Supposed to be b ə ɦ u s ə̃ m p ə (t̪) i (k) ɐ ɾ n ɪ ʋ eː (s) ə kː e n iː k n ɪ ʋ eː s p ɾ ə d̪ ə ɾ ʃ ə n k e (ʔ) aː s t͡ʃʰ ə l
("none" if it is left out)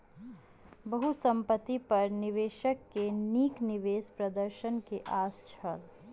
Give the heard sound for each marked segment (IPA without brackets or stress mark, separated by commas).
t̪, p, ʃ, ʔ